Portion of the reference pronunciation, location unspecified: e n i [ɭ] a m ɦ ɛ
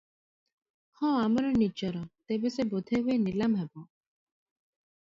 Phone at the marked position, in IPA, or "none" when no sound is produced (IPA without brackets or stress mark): l